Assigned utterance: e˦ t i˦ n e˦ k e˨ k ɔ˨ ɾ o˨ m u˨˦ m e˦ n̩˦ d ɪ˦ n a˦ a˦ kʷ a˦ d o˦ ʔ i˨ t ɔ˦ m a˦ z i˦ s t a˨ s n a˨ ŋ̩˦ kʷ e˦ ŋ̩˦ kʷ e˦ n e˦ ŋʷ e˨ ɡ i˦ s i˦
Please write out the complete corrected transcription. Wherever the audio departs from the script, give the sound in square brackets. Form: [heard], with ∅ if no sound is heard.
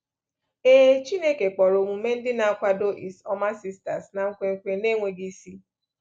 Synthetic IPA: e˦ [t͡ʃ] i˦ n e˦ k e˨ [k͡p] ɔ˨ ɾ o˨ m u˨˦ m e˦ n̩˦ d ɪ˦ n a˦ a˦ kʷ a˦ d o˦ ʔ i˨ [s] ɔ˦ m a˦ [s] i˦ s t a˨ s n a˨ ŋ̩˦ kʷ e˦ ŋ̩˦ kʷ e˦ n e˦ ŋʷ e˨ ɡ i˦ s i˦